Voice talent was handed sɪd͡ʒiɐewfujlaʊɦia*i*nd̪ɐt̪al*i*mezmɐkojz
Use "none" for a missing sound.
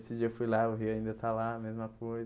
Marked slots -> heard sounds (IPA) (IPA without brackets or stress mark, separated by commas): ĩ, a